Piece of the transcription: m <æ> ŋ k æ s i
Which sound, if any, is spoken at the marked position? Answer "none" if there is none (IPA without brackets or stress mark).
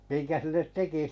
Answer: i